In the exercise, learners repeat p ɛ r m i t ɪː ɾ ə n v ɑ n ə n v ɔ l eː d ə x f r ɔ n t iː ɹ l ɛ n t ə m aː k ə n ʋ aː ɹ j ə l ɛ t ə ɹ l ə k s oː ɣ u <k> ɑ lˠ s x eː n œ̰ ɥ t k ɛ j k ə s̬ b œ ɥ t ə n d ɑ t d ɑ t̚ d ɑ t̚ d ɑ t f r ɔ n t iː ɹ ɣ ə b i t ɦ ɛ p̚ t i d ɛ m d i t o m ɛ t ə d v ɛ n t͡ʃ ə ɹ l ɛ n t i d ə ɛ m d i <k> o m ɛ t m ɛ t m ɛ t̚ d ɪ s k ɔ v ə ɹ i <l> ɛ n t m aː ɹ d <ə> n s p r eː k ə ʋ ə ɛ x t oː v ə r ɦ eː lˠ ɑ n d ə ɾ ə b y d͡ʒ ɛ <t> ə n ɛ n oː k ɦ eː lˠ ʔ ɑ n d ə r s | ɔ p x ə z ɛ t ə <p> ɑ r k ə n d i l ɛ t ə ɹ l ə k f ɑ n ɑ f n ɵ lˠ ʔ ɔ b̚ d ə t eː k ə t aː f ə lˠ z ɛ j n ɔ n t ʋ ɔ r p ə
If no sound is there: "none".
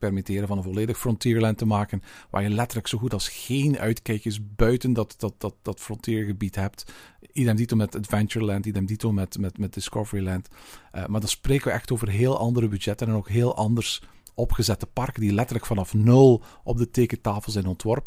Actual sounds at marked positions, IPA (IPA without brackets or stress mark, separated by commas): t, t, l, ɑ, t, p